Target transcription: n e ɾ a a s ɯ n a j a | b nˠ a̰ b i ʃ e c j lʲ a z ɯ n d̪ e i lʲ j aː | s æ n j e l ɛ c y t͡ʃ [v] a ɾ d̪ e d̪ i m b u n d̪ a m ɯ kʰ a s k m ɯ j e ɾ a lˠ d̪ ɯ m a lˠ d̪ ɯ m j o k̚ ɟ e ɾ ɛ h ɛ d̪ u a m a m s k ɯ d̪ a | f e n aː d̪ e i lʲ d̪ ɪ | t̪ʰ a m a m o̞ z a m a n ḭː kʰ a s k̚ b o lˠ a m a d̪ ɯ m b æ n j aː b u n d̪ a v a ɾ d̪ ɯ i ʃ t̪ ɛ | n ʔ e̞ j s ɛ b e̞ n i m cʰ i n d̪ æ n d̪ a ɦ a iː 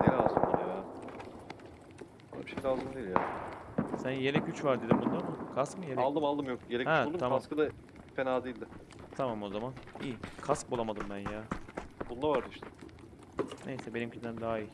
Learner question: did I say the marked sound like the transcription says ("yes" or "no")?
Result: yes